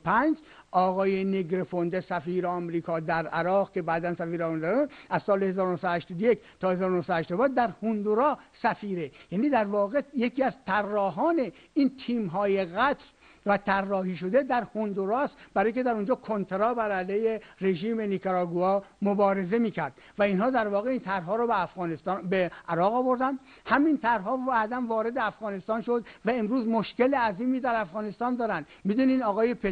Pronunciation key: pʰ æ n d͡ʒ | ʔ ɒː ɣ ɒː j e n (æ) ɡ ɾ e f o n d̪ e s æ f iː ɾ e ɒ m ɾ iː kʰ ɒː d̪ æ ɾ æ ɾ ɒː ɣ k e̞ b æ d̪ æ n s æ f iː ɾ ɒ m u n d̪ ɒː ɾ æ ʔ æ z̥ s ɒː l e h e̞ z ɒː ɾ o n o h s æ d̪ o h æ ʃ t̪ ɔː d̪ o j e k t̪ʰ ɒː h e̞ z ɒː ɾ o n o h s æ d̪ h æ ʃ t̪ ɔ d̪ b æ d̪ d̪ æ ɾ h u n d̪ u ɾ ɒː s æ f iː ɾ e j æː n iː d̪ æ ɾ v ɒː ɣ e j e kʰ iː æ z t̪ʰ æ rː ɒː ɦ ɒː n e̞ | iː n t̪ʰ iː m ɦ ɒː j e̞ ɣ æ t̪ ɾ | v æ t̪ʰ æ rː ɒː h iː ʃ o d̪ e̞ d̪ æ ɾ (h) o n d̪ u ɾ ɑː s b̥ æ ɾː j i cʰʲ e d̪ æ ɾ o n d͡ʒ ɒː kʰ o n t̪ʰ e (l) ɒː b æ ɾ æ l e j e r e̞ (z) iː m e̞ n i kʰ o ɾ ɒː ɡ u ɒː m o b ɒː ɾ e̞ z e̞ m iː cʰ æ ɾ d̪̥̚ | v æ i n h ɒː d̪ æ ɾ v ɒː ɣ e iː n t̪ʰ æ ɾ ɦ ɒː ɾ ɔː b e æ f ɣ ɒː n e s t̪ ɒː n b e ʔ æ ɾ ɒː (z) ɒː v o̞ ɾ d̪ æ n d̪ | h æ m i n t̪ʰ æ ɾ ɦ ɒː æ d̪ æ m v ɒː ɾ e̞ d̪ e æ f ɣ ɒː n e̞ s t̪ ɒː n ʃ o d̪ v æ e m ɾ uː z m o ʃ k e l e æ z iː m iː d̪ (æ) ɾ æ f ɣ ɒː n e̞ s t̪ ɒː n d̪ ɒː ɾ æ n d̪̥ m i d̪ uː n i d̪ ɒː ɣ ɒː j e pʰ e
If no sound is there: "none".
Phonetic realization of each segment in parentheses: e, h, ɾ, ʒ, ɣ, æ

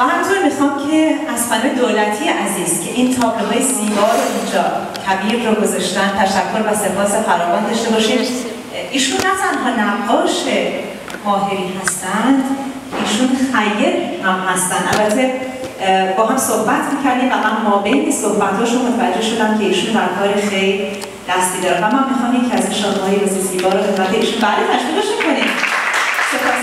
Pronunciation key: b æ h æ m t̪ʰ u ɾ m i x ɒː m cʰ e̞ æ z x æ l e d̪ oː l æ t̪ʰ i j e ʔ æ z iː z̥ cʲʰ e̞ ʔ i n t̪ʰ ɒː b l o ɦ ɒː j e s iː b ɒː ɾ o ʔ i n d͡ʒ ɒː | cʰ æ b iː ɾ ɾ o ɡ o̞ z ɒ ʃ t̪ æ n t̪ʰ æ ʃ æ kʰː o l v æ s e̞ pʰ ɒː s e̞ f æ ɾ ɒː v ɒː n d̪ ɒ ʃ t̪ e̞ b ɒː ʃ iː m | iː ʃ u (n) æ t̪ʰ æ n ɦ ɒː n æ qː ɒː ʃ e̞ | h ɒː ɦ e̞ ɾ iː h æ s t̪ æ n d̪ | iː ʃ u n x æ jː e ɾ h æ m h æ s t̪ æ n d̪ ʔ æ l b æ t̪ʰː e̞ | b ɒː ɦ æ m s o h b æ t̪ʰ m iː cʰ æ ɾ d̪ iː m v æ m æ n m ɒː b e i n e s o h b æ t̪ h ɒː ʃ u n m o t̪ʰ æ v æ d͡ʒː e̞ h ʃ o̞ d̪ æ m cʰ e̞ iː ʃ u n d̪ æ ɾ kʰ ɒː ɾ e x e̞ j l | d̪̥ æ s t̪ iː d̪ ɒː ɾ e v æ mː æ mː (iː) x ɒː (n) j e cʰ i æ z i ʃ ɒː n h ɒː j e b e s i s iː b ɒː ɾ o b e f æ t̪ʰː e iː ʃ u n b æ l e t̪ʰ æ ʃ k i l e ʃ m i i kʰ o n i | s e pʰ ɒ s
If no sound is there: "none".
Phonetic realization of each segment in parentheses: nː, i, m

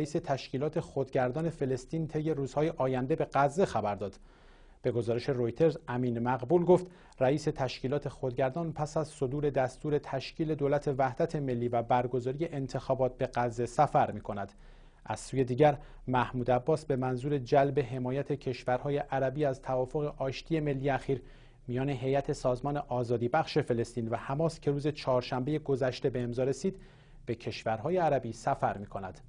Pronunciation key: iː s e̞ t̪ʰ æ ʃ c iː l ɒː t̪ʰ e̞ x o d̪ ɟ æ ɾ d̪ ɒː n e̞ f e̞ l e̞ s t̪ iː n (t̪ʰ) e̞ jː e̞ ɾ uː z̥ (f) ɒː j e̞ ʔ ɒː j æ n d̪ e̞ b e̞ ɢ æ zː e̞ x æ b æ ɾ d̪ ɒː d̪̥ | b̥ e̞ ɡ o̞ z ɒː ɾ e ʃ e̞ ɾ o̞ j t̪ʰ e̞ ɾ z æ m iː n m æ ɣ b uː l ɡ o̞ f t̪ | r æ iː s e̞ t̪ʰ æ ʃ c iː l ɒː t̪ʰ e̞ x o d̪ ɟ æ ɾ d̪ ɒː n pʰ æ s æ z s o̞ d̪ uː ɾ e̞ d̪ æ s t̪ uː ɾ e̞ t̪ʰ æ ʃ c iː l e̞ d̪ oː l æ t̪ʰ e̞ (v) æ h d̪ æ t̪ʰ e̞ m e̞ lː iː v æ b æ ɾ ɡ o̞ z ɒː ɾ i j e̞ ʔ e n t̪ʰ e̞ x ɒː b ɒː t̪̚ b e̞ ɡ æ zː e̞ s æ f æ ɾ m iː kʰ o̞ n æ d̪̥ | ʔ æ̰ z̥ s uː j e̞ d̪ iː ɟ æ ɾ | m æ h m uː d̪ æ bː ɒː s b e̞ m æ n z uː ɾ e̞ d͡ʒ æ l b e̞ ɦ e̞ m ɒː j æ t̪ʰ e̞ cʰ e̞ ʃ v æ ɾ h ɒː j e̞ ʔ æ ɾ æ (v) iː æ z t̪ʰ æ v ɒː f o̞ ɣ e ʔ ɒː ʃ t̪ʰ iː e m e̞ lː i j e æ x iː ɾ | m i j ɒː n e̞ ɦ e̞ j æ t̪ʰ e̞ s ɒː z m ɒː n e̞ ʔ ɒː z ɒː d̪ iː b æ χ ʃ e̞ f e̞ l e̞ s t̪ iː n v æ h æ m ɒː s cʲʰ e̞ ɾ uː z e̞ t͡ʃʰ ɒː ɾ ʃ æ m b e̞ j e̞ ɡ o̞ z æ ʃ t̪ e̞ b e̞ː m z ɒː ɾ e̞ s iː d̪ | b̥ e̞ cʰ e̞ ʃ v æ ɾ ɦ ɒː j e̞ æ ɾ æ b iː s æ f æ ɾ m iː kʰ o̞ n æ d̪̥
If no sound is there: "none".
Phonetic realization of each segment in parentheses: t̪ʰ, h, v, b

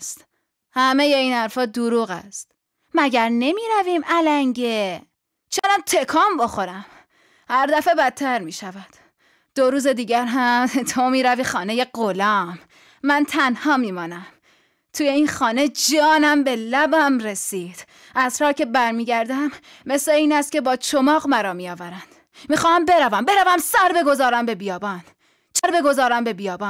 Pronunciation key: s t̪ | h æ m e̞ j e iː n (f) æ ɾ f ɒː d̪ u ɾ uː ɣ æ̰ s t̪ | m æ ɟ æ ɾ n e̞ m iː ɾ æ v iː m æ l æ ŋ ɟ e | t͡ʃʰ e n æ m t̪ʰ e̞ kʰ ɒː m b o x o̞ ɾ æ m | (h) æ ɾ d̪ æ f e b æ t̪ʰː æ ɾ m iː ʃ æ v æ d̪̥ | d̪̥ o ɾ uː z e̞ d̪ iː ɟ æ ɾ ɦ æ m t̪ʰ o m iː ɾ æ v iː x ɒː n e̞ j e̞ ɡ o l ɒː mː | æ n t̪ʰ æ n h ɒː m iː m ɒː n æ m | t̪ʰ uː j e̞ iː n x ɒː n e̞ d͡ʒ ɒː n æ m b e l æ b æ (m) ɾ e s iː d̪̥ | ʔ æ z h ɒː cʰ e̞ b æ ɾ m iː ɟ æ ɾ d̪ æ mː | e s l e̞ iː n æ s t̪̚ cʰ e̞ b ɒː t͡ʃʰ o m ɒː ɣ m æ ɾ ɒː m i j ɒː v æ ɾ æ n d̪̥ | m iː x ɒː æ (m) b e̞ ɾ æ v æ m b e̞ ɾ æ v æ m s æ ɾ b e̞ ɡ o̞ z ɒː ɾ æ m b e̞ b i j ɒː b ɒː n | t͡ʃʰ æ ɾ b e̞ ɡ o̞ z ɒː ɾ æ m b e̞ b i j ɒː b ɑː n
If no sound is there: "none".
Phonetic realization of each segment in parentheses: h, h, m, m

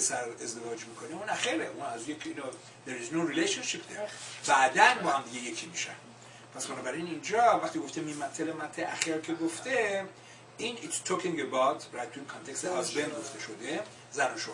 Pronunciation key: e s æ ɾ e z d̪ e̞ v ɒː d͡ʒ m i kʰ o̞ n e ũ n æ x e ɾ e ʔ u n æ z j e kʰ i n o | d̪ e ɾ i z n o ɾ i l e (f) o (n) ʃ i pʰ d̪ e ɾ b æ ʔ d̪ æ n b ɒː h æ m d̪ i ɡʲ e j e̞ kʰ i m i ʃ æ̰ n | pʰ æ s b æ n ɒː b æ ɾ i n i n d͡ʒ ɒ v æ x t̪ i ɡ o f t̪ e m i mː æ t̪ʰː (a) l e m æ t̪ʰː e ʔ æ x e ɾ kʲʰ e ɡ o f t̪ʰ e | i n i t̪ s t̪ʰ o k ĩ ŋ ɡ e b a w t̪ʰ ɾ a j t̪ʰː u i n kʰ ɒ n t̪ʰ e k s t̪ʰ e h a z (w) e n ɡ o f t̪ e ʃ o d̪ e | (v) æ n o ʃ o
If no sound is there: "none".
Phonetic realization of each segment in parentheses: ʃ, n, e, b, z

